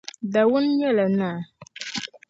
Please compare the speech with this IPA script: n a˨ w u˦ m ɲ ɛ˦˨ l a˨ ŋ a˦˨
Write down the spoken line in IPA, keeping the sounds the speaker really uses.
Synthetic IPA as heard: d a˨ w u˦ n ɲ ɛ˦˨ l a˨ n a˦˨